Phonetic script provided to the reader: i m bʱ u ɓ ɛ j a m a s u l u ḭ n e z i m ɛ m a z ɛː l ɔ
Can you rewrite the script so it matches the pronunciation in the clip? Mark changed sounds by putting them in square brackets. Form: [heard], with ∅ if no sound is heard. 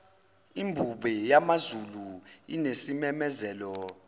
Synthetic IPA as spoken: i m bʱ u ɓ ɛ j a m a [z] u l u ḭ n e [s] i m ɛ m [ɛ] z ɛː l ɔ